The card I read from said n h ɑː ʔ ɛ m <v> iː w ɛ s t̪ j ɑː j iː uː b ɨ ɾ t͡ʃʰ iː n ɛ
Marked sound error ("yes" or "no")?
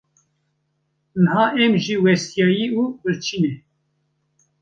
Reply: yes